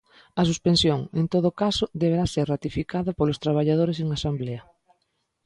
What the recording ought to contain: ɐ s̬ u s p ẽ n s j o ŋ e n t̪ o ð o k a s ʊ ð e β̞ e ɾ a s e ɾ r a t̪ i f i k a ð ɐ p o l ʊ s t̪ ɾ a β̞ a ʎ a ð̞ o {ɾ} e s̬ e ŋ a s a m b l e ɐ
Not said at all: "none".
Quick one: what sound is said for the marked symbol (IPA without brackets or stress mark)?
ɾ